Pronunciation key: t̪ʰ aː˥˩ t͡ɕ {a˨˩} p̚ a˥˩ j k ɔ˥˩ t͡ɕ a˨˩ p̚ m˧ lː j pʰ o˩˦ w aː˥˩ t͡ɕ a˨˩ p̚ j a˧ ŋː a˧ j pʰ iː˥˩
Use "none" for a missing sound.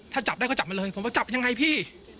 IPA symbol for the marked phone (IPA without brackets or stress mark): a˨˩